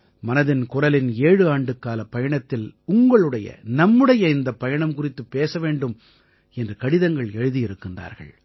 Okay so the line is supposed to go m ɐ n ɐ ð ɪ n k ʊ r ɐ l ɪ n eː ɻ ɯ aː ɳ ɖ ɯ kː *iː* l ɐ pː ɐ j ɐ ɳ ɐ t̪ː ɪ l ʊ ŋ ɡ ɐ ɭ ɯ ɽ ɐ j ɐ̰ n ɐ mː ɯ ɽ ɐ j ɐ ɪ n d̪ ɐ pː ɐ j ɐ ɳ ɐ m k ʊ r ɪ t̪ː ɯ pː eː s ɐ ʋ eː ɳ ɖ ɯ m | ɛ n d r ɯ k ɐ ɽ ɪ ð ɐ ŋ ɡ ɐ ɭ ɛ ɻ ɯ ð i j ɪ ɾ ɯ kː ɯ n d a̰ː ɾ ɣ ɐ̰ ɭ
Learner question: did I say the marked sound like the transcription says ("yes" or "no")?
no